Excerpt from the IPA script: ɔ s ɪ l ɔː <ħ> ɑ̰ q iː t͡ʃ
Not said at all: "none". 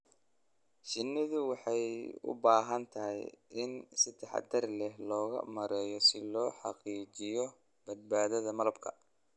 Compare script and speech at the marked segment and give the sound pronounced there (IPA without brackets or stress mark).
ħ